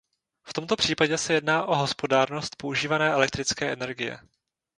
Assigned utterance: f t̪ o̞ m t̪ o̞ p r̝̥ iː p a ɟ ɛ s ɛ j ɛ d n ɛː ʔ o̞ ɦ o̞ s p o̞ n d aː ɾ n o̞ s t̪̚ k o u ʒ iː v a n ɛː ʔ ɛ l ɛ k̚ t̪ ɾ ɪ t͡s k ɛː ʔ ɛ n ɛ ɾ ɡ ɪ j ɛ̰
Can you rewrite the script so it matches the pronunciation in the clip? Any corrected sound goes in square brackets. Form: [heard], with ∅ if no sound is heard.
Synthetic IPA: f t̪ o̞ m t̪ o̞ p r̝̥ iː p a ɟ ɛ s ɛ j ɛ d n [aː] ʔ o̞ ɦ o̞ s p o̞ [∅] d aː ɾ n o̞ s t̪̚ [p] o u ʒ iː v a n ɛː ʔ ɛ l ɛ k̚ t̪ ɾ ɪ t͡s k ɛː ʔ ɛ n ɛ ɾ ɡ ɪ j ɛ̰